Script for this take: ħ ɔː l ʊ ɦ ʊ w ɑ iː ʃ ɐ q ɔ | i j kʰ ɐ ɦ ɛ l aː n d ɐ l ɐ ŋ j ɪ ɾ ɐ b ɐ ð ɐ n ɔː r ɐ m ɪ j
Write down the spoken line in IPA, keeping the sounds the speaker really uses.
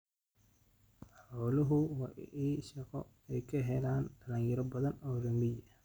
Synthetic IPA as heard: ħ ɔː l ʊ ɦ ʊ w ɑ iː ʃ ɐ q ɔ | ɛ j kʰ ɐ ɦ ɛ l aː n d ɐ l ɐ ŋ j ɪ ɾ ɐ b ɐ ð ɐ n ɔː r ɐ m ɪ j